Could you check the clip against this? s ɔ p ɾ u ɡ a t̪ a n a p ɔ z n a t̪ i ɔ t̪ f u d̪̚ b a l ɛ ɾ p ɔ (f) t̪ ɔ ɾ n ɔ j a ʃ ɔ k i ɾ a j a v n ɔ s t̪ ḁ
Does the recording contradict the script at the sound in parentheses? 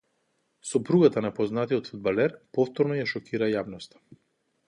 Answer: no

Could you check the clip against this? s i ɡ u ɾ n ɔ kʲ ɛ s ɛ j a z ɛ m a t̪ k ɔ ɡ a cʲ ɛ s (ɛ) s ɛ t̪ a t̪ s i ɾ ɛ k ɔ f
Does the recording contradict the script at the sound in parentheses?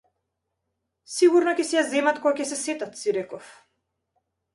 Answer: no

